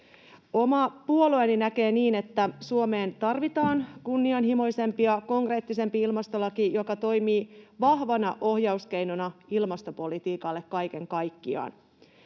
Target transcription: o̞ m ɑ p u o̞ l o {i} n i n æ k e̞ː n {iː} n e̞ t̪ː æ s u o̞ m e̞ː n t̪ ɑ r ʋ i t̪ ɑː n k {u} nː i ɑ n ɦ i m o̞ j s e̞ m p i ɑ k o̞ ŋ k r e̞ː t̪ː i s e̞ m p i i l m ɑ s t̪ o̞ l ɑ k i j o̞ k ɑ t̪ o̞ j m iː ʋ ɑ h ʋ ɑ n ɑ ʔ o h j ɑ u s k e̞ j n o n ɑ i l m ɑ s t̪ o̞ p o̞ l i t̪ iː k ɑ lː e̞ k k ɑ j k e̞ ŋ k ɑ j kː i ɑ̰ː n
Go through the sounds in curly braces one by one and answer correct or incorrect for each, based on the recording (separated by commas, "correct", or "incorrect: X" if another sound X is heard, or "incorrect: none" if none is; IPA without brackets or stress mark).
incorrect: e, correct, correct